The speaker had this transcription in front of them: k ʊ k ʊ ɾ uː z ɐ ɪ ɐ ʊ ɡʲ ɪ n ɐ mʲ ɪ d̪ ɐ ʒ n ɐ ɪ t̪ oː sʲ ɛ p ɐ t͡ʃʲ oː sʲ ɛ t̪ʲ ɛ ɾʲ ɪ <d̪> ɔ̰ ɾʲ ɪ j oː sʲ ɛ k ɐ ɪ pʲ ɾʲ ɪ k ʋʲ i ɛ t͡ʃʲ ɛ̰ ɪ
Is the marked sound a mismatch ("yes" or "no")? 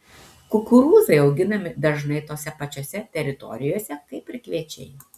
yes